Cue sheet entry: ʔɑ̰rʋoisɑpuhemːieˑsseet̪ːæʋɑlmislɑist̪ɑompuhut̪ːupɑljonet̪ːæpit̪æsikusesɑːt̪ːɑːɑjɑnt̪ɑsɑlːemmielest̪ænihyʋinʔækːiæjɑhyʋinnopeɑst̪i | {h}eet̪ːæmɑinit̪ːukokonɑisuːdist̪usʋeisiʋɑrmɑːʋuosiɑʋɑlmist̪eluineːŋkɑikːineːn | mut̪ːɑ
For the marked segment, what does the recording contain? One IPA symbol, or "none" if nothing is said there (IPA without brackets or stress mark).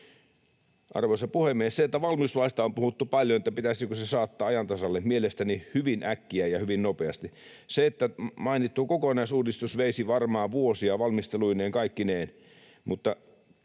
s